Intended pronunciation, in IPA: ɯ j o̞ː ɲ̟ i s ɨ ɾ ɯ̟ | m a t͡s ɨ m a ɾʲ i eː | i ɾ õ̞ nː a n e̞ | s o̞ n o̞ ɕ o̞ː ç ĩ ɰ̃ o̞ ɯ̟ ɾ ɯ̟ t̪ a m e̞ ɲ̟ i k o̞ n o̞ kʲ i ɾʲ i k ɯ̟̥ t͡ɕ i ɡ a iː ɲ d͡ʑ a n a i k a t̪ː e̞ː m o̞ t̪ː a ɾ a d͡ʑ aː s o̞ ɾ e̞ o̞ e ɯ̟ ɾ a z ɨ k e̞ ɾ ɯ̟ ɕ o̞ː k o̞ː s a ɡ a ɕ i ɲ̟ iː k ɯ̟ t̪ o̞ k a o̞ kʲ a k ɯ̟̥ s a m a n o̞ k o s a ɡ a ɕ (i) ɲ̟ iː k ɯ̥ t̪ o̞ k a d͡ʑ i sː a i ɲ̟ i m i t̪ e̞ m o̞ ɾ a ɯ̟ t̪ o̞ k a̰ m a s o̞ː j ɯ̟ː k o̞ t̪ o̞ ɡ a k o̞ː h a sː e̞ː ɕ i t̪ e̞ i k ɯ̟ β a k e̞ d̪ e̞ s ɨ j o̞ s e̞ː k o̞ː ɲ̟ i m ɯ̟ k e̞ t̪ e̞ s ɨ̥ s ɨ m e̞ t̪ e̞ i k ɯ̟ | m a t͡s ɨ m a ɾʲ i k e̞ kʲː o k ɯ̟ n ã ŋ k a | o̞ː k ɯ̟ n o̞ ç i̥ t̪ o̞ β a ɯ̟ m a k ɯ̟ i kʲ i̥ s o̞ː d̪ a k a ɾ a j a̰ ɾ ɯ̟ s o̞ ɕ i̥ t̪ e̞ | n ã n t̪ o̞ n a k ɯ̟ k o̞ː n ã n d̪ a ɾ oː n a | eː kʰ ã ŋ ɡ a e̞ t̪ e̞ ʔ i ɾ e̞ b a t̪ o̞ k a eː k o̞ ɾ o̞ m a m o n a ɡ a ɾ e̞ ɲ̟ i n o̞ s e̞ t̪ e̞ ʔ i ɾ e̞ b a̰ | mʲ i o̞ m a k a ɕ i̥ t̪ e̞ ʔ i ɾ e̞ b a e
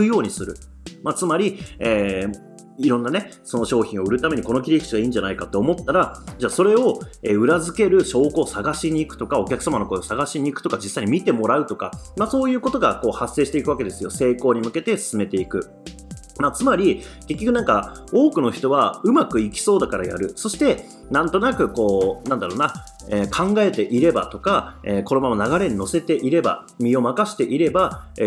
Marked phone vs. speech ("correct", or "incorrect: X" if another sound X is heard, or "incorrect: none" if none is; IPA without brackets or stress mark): correct